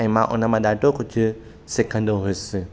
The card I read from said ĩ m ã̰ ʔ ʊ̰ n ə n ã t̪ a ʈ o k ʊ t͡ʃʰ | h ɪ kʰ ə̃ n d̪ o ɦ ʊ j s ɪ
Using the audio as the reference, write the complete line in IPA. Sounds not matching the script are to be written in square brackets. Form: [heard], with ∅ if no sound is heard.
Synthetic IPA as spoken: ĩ m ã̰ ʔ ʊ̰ n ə [m] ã [d̪] a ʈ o k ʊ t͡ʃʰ | [s] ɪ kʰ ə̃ n d̪ o ɦ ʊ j s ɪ